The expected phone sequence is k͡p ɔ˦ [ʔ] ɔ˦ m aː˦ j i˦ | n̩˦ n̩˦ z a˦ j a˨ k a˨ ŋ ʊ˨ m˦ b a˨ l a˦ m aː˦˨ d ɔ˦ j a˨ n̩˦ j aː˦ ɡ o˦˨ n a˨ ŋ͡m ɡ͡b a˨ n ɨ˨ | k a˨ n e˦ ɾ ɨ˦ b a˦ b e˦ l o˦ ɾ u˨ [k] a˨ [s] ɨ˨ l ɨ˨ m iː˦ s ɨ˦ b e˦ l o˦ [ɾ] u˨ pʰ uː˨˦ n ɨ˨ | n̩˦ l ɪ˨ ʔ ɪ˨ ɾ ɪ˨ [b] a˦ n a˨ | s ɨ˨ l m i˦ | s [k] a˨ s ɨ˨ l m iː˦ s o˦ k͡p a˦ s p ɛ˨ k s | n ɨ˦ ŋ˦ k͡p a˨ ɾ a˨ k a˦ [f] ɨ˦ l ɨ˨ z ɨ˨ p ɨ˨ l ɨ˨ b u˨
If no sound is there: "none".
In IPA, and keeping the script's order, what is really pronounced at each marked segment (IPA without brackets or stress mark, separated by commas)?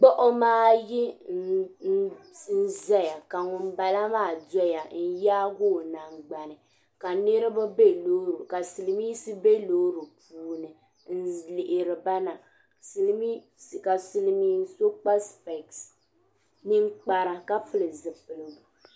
ʔ, k, s, ɾ, b, k, f